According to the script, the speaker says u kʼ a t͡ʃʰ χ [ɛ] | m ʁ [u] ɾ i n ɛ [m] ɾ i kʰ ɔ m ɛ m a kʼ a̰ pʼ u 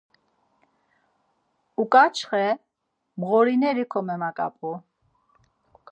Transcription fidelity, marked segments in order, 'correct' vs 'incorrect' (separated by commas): correct, incorrect, incorrect